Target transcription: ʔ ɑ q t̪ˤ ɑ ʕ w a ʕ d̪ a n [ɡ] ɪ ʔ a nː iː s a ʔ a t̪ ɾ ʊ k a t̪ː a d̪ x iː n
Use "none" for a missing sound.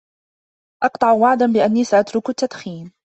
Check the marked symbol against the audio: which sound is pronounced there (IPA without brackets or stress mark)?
b